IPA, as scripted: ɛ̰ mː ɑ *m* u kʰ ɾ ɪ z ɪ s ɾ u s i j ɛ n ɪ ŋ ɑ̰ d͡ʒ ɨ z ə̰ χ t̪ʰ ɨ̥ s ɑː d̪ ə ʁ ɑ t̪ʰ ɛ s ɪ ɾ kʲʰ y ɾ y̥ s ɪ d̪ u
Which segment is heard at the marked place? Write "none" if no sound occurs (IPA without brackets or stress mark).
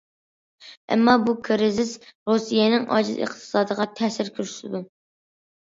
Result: b